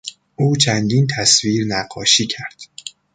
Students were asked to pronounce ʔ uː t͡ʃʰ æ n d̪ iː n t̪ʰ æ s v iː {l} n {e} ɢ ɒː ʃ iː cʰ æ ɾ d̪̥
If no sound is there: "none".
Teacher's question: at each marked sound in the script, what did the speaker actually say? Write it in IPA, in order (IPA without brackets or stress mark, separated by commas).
ɾ, æ